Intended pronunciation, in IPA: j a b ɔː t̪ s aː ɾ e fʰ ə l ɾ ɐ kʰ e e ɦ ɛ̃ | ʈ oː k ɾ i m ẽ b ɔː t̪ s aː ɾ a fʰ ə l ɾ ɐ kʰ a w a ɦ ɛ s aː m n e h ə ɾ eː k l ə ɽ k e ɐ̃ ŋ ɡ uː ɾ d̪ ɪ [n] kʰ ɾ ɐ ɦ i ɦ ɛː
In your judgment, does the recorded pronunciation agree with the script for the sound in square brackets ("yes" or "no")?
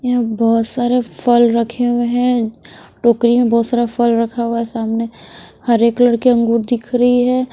no